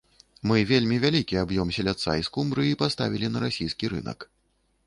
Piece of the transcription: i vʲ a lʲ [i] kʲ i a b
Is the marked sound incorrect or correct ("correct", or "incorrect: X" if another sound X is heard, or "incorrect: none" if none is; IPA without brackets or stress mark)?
correct